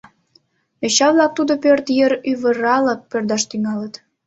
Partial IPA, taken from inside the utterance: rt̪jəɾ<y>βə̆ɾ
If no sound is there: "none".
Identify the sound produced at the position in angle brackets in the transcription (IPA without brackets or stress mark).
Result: y